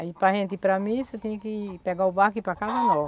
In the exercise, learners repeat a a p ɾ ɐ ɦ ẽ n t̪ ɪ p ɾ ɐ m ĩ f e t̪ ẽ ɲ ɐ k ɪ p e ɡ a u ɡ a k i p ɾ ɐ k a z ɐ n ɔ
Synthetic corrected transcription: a i p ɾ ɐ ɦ ẽ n t̪ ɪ p ɾ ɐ m ĩ s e t̪ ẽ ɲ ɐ k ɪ p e ɡ a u b a k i p ɾ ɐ k a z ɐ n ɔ

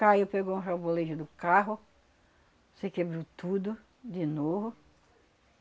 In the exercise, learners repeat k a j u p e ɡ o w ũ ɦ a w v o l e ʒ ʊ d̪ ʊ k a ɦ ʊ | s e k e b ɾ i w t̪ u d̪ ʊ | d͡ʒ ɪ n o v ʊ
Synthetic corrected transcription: k a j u p e ɡ o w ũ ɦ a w b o l e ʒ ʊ d̪ ʊ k a ɦ ʊ | s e k e b ɾ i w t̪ u d̪ ʊ | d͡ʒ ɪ n o v ʊ

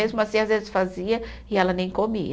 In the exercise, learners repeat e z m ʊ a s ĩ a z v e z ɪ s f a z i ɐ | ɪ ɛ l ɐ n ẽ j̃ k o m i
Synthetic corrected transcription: e z m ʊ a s ĩ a z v e z ɪ s f a z i ɐ | ɪ ɛ l ɐ n ẽ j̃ k o m i

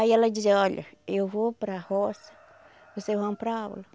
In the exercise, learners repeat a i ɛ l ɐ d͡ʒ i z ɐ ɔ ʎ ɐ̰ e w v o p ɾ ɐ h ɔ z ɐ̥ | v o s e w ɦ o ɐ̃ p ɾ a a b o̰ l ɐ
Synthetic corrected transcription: a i ɛ l ɐ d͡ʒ i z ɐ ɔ ʎ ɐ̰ e w v o p ɾ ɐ h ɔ s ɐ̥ | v o s e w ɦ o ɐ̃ p ɾ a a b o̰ l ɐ

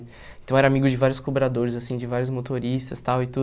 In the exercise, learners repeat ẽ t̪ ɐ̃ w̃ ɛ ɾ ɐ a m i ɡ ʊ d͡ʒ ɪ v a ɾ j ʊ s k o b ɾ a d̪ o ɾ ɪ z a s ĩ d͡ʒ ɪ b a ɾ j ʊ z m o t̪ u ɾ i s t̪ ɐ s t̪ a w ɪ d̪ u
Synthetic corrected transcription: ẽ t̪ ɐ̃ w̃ ɛ ɾ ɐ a m i ɡ ʊ d͡ʒ ɪ v a ɾ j ʊ s k o b ɾ a d̪ o ɾ ɪ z a s ĩ d͡ʒ ɪ v a ɾ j ʊ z m o t̪ o ɾ i s t̪ ɐ s t̪ a w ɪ t̪ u

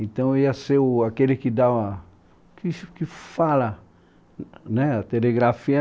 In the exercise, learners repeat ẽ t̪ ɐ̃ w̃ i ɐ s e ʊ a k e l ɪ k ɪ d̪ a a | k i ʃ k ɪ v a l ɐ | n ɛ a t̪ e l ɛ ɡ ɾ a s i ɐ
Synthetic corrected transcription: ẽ t̪ ɐ̃ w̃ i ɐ s e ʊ a k e l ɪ k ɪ d̪ a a | k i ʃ k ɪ f a l ɐ | n ɛ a t̪ e l e ɡ ɾ a f i ɐ

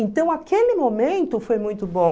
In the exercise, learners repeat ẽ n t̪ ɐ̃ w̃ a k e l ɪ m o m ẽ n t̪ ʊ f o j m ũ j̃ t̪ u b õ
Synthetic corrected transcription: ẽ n t̪ ɐ̃ w̃ a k e l ɪ m o m ẽ n t̪ ʊ f o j m ũ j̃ t̪ ʊ b õ

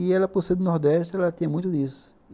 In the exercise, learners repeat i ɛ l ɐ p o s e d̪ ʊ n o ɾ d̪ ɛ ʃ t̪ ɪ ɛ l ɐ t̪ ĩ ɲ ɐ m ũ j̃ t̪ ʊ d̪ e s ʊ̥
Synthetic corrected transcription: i ɛ l ɐ p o s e d̪ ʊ n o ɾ d̪ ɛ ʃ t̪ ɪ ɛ l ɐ t̪ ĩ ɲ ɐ m ũ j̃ t̪ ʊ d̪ i s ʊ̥

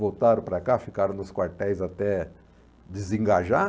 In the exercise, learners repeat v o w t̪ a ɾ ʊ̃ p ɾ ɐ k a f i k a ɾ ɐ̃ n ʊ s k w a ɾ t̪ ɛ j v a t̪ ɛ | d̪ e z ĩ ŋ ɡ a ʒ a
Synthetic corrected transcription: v o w t̪ a ɾ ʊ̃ p ɾ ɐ k a f i k a ɾ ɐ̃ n ʊ s k w a ɾ t̪ ɛ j z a t̪ ɛ | d̪ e z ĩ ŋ ɡ a ʒ a

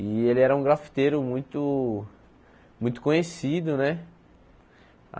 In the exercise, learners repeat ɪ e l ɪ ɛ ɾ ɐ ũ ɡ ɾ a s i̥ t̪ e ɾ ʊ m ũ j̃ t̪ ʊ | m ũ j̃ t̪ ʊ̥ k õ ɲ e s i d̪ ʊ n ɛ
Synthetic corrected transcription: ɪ e l ɪ ɛ ɾ ɐ ũ ɡ ɾ a f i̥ t̪ e ɾ ʊ m ũ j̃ t̪ ʊ | m ũ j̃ t̪ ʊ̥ k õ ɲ e s i d̪ ʊ n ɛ

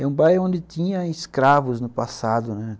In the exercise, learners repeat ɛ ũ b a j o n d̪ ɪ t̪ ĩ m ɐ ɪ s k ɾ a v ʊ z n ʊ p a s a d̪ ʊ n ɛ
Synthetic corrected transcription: ɛ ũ b a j õ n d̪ ɪ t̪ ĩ ɲ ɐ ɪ s k ɾ a v ʊ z n ʊ p a s a d̪ ʊ n ɛ

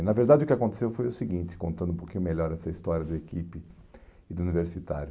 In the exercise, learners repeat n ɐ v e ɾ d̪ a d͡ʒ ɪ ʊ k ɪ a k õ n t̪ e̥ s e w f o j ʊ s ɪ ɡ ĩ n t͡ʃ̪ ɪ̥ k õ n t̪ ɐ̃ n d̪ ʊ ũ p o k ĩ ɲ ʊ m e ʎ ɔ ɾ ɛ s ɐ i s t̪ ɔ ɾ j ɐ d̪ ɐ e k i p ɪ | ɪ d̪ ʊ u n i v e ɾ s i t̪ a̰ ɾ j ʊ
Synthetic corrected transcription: n ɐ v e ɾ d̪ a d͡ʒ ɪ ʊ k ɪ a k õ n t̪ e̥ s e w f o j ʊ s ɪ ɡ ĩ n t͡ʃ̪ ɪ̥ k õ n t̪ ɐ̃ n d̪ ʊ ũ p o k ĩ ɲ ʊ m e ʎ ɔ ɾ ɛ s ɐ i s t̪ ɔ ɾ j ɐ d̪ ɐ e k i p ɪ | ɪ d̪ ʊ u n i v e ɾ s i t̪ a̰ ɾ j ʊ

